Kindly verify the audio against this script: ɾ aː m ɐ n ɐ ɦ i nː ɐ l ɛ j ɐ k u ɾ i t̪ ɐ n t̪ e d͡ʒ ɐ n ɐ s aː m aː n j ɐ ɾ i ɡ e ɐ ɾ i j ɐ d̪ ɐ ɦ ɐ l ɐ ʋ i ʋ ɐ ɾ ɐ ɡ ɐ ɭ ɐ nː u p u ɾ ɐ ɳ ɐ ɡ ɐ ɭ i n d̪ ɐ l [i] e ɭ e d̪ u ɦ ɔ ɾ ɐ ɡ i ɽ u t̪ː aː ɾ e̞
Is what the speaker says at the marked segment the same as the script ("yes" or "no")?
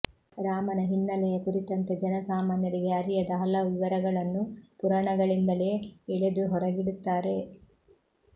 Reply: no